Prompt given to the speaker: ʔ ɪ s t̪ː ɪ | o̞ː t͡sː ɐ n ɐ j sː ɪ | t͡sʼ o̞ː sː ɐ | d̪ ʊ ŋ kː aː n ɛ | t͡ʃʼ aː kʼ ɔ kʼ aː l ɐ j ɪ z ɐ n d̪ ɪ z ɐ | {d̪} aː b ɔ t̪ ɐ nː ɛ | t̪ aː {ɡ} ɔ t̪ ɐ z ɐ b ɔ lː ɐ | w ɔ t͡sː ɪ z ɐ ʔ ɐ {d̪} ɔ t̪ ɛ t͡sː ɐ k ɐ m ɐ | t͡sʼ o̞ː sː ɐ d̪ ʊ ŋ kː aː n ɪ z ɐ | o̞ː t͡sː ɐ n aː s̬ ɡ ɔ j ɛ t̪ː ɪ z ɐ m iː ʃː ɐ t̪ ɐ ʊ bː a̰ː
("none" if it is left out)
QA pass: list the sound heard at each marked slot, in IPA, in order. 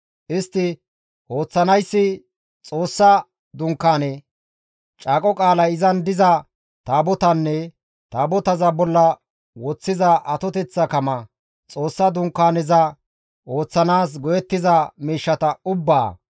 t̪, b, t̪

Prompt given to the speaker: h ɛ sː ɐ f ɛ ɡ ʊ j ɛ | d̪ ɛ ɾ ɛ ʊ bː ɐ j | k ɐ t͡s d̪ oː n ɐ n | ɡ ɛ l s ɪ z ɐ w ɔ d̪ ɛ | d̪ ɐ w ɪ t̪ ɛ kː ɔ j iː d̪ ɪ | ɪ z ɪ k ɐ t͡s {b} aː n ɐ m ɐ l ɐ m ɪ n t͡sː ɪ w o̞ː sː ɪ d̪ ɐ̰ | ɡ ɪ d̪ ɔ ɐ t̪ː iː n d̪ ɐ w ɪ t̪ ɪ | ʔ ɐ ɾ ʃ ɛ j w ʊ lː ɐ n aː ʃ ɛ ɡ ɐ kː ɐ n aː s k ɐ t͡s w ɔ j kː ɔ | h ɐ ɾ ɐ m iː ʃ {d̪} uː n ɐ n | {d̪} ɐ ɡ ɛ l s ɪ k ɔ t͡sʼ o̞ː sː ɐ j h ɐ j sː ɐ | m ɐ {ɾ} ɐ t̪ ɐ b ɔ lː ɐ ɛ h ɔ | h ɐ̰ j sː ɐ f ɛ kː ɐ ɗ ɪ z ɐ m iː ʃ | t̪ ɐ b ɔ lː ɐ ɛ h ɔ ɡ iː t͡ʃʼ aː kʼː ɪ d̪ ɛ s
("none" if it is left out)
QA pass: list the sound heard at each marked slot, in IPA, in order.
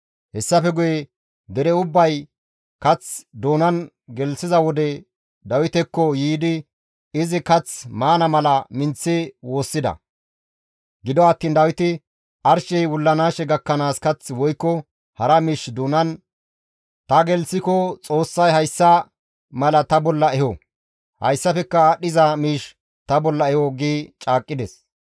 m, d̪, t̪, l

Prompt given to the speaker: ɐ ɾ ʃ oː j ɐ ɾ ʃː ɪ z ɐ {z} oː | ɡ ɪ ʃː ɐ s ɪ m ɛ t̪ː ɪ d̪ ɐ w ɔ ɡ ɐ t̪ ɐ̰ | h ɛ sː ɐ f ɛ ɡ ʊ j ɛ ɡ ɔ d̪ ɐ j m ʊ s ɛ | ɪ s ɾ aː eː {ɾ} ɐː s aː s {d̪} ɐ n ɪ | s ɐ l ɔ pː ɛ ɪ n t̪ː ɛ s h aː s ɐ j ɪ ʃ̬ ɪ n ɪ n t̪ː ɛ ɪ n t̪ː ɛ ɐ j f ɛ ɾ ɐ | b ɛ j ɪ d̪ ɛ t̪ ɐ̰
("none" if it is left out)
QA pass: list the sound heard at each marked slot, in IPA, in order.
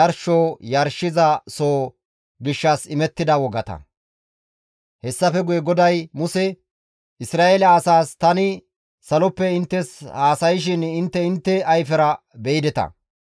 s, l, t̪

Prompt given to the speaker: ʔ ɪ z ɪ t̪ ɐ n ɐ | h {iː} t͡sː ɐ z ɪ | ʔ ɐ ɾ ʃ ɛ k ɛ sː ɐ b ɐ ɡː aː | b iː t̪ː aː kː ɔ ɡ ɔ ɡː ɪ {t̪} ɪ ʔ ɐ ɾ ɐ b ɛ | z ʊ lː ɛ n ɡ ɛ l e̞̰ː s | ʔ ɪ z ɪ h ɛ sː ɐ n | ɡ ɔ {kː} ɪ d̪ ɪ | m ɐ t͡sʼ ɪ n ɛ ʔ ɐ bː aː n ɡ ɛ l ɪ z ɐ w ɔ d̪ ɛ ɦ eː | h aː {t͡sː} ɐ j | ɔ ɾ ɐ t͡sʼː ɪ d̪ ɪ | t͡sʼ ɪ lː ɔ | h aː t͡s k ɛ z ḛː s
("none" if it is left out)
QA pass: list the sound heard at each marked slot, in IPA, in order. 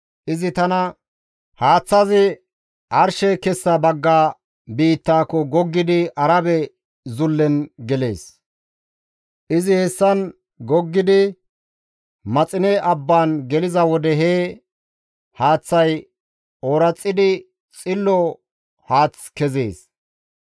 aː, d̪, ɡː, t͡sː

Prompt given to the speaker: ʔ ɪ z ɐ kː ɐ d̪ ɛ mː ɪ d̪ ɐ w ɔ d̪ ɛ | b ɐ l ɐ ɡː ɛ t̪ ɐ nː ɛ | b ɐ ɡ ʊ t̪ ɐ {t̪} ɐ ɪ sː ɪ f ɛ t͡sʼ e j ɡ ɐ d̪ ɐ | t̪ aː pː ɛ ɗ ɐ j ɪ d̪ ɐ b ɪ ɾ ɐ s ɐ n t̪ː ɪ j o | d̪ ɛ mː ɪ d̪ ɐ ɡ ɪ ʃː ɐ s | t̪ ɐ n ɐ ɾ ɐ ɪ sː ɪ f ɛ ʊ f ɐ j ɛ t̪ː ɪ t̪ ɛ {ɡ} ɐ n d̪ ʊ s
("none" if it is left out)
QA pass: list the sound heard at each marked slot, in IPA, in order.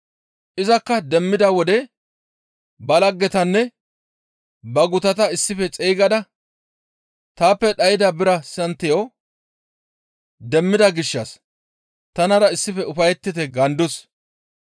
t̪, ɡ

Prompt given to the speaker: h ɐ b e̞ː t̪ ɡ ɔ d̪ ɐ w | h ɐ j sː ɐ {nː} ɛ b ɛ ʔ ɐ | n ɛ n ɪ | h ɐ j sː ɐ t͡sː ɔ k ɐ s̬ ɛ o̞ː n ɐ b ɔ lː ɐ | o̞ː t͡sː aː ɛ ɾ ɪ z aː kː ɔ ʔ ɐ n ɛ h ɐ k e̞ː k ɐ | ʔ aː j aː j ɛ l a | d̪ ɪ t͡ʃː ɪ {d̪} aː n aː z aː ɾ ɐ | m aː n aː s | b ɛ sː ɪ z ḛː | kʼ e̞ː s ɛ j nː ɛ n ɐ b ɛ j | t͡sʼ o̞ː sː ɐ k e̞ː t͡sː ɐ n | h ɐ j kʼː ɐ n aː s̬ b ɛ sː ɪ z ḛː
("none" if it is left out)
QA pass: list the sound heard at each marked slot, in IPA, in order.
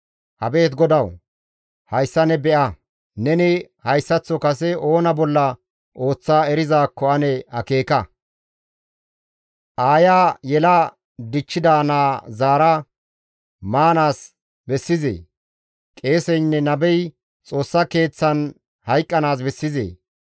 n, d̪

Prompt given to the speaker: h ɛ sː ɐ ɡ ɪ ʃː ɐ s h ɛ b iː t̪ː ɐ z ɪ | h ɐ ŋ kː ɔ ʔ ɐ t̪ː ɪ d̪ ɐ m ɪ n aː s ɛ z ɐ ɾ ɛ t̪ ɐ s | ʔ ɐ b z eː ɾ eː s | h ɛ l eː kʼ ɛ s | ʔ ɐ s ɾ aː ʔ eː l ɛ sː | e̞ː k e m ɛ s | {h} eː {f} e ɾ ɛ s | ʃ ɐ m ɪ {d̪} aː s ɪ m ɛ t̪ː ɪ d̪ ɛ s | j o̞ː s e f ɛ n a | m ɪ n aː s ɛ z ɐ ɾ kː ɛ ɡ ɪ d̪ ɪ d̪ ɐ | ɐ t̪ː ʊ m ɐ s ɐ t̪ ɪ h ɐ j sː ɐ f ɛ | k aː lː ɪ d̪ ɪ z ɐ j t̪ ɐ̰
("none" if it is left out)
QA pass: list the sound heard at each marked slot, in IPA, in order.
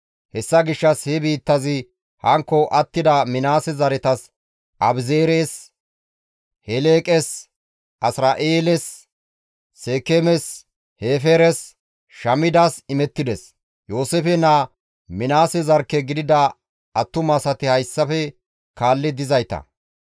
h, f, d̪

